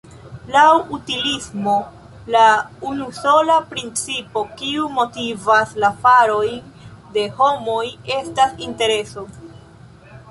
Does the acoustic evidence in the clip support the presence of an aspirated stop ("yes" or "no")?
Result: no